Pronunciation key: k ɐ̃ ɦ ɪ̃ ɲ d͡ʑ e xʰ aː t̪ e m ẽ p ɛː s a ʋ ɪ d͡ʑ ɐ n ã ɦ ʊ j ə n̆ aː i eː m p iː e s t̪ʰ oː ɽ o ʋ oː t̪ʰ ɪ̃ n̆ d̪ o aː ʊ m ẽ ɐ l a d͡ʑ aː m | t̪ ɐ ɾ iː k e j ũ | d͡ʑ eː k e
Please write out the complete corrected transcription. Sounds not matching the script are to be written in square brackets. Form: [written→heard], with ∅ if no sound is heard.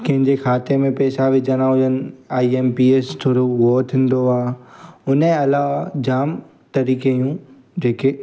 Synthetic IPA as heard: k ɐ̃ ɦ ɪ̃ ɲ d͡ʑ e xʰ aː t̪ e m ẽ p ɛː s a ʋ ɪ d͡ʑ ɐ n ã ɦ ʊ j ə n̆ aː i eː m p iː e s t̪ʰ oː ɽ o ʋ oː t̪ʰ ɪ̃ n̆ d̪ o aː ʊ [m→n] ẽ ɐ l a d͡ʑ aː m | t̪ ɐ ɾ iː k e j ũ | d͡ʑ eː k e